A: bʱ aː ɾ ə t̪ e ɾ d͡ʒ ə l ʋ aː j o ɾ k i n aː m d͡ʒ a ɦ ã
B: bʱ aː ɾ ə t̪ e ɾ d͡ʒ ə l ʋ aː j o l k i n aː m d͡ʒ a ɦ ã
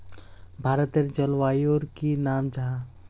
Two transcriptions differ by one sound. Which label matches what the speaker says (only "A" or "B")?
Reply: A